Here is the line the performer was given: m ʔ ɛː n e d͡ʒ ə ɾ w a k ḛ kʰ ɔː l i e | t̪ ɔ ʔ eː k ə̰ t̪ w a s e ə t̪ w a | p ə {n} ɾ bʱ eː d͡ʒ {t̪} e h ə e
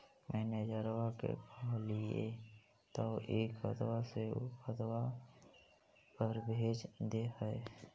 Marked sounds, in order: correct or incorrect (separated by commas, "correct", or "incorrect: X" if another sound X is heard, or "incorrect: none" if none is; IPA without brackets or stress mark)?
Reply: incorrect: none, incorrect: d̪